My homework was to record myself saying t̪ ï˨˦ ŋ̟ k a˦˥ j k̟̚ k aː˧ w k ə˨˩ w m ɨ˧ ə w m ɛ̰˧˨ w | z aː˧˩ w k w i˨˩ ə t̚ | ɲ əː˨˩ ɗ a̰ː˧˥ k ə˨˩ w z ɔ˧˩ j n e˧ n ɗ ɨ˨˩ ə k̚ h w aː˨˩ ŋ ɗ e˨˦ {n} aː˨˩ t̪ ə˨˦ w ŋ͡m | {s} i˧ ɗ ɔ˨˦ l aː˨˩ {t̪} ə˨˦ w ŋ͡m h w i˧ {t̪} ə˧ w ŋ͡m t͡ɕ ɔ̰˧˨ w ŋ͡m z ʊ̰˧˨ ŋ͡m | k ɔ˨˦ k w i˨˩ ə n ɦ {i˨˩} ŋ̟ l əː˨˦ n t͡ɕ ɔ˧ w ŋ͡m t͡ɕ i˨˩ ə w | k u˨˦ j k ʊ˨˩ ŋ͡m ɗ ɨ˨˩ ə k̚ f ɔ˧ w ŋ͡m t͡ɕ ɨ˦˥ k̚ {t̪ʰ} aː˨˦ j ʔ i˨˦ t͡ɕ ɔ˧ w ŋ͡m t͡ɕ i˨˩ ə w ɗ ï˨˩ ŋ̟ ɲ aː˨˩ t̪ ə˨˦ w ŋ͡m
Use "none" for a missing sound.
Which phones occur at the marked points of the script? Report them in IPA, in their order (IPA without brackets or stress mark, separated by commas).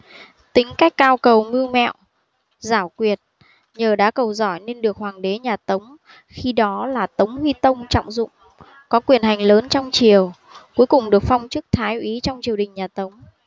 ɲ, x, t̪, t̪, a˨˩, t̪ʰ